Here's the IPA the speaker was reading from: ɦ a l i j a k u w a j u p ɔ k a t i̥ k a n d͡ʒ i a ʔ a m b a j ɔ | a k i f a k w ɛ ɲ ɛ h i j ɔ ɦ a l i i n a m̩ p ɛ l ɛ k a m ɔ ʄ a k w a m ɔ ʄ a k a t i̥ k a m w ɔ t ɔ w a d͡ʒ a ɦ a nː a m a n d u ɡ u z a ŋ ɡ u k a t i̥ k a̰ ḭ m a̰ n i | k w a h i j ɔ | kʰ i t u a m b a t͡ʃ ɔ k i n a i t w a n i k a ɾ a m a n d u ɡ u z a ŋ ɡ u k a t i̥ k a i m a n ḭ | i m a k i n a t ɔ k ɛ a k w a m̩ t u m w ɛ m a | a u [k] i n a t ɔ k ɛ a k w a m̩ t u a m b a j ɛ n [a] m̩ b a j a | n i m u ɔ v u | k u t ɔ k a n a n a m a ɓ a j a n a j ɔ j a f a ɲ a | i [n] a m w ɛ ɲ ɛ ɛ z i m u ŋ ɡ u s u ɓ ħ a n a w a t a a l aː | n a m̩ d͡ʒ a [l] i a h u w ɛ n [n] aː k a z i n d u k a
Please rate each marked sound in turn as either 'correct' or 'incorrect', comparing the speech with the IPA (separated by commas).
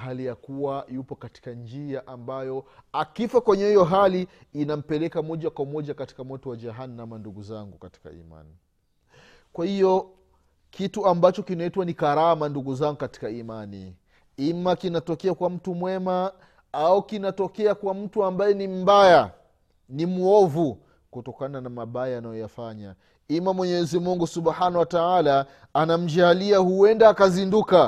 correct, incorrect, incorrect, correct, incorrect